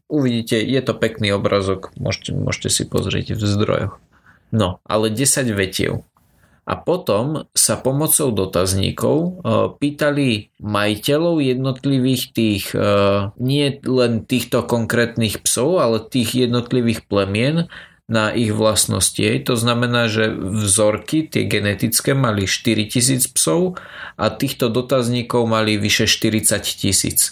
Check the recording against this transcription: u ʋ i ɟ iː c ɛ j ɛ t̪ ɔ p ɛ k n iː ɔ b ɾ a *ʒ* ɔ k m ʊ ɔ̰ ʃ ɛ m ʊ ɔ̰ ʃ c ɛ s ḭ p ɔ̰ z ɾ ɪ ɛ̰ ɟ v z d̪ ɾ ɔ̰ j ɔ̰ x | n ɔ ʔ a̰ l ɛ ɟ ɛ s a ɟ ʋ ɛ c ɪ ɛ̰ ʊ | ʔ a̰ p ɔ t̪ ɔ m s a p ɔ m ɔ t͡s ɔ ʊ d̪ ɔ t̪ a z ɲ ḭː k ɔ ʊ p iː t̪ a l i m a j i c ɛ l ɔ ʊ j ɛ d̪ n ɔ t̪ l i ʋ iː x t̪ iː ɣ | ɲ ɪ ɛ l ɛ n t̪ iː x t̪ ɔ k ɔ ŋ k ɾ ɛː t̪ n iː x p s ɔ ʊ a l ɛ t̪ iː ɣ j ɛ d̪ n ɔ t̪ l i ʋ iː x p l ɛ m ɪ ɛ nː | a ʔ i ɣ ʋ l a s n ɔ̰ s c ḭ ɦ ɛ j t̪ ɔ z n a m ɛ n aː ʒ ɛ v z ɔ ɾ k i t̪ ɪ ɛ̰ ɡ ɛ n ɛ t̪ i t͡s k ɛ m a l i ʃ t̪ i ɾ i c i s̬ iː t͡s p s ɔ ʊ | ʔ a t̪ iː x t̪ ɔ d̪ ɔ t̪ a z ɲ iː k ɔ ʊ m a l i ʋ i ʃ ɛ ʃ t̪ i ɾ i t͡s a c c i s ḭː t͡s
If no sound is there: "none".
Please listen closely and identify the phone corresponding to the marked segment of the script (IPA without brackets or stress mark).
z